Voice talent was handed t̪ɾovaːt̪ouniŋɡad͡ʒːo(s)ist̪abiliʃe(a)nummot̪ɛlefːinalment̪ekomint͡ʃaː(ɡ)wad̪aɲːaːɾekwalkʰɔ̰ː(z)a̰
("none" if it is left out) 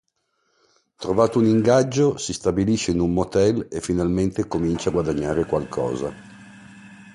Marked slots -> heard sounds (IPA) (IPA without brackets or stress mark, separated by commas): s, i, ɡ, z